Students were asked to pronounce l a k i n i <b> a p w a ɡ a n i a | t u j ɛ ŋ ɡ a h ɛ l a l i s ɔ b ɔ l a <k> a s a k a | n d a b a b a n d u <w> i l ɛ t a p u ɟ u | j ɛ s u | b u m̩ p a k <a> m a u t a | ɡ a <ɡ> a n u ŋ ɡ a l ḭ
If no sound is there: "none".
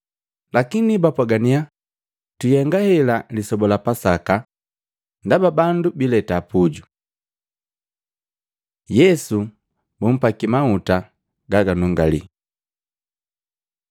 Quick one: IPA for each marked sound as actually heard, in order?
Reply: b, p, b, i, ɡ

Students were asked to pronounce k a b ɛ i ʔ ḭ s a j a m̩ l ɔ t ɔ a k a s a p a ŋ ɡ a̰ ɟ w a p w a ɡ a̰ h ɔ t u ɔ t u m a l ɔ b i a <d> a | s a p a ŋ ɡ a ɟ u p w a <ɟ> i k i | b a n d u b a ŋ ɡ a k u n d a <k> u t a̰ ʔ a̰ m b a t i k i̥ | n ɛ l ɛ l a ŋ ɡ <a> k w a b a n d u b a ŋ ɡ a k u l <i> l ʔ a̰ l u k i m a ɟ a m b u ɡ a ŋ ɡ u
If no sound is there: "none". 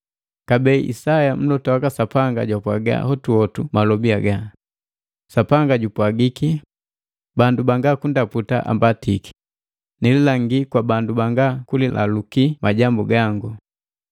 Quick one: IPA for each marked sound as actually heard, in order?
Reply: ɡ, ɡ, p, i, i

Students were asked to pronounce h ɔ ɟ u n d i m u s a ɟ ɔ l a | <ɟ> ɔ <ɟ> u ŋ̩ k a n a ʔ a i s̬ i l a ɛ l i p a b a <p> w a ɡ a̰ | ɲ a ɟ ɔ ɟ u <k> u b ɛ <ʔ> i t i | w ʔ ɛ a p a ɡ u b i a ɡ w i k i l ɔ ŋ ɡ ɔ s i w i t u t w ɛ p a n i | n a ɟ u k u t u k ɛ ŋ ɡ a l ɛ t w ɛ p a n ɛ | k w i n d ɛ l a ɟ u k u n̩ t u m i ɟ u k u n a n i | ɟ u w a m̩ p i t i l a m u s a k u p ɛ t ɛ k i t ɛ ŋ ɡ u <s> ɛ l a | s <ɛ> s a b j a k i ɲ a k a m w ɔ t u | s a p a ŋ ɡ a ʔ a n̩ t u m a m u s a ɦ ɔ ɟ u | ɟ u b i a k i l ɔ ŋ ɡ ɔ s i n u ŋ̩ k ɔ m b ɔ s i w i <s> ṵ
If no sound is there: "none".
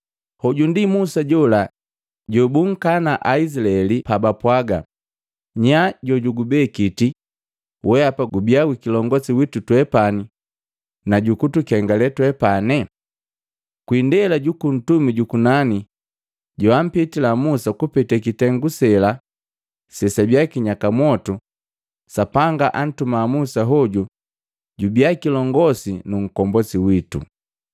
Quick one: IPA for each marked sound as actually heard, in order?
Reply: ɟ, b, p, ɡ, k, s, ɛ, t

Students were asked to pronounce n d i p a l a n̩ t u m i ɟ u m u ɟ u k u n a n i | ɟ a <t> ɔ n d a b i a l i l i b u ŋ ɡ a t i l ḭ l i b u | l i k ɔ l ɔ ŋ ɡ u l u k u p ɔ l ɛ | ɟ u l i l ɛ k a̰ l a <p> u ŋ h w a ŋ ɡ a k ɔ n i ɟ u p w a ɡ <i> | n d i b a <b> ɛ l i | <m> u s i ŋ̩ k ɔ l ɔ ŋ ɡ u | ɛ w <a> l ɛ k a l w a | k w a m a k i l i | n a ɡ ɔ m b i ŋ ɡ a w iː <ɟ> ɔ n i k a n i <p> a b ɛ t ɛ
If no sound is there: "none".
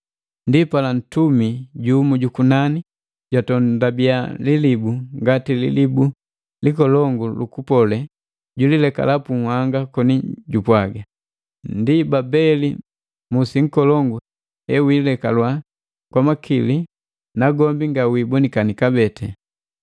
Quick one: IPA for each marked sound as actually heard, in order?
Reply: t, p, a, b, m, i, b, k

